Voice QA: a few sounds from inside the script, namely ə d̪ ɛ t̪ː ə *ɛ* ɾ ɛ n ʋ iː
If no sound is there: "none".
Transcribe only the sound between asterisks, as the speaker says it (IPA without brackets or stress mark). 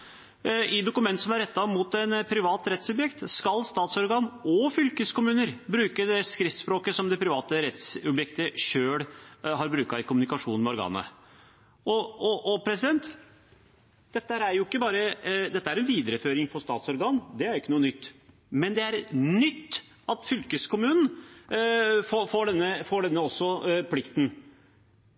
æ